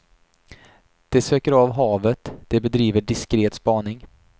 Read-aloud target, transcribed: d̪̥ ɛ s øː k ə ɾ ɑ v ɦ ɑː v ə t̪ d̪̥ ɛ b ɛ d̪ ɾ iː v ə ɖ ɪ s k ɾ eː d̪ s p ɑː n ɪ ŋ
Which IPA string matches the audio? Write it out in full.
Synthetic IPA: d̪̥ ɛ s øː k ə ɾ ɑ v ɦ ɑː v ə t̪ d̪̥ ɛ b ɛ d̪ ɾ iː v ə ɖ ɪ s k ɾ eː t̪ s p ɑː n ɪ ŋ